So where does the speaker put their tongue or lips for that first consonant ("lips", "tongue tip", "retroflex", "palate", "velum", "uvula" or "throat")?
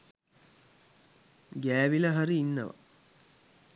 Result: velum